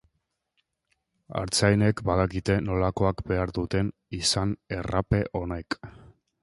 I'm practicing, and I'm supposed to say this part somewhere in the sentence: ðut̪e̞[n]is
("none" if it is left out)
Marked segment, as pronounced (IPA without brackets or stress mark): n